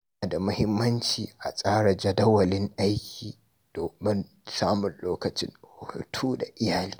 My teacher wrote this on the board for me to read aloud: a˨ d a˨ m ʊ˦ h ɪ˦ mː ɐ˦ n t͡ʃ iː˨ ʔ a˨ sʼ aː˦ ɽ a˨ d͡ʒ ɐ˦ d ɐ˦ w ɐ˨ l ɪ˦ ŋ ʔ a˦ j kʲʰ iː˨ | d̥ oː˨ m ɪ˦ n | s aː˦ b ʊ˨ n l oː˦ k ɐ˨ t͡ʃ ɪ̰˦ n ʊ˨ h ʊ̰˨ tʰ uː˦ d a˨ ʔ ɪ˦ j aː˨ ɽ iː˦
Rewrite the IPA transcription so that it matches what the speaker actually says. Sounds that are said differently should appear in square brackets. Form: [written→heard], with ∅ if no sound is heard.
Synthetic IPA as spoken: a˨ d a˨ m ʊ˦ h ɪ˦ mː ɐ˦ n t͡ʃ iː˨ ʔ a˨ sʼ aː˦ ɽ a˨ d͡ʒ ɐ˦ d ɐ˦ w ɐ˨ l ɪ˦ ŋ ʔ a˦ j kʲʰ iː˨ | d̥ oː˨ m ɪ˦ n | s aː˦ [b→m] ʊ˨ n l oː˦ k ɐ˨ t͡ʃ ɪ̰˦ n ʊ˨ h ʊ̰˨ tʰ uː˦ d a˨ ʔ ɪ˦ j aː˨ [ɽ→l] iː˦